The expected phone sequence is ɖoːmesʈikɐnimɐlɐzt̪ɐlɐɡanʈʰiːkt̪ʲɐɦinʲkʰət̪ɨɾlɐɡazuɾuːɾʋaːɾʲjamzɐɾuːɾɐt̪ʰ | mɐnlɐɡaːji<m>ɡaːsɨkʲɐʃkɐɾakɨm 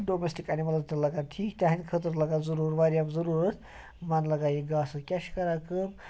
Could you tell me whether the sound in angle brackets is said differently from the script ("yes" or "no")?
yes